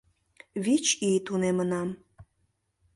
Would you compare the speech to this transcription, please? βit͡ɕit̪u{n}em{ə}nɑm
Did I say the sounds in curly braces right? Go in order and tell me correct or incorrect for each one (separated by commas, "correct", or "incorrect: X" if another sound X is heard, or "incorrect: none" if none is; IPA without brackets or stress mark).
correct, correct